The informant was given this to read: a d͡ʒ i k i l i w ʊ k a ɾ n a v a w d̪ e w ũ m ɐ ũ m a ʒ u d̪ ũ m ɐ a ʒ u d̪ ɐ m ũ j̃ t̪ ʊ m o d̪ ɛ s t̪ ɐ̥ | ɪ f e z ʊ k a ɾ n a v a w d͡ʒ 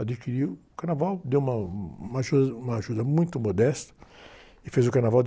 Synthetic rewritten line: a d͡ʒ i k i ɾ i w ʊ k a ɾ n a v a w d̪ e w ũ m ɐ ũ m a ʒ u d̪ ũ m ɐ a ʒ u d̪ ɐ m ũ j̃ t̪ ʊ m o d̪ ɛ s t̪ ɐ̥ | ɪ f e z ʊ k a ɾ n a v a w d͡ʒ